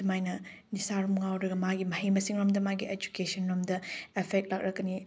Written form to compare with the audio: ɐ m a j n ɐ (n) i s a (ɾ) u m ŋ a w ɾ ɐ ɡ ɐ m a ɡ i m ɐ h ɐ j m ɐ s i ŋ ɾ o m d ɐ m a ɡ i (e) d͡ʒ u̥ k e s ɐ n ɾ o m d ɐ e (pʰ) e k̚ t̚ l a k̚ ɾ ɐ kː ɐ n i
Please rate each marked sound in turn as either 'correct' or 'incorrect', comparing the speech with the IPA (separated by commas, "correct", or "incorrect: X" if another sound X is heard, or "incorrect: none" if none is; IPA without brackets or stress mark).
correct, correct, correct, correct